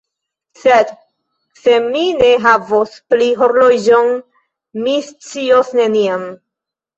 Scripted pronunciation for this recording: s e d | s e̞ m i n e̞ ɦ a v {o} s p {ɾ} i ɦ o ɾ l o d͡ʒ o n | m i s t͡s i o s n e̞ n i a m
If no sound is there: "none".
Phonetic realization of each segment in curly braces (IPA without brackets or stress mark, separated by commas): o, l